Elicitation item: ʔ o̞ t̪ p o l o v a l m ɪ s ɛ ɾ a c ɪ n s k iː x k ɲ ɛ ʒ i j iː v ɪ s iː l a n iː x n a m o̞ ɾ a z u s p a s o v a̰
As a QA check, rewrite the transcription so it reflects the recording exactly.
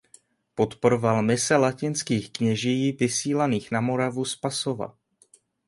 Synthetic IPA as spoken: p o̞ t̪ p o ɾ o v a l m ɪ s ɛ l a c ɪ n s k iː x k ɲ ɛ ʒ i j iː v ɪ s iː l a n iː x n a m o̞ ɾ a v u s p a s o v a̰